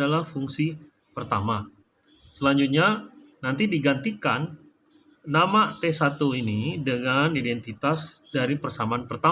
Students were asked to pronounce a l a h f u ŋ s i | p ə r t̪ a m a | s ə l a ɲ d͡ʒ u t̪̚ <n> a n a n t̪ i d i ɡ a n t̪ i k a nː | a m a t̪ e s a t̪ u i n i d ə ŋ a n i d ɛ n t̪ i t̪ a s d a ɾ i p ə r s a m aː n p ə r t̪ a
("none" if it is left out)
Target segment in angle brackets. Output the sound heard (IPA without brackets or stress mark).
ɲ